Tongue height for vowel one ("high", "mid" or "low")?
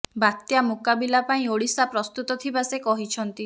low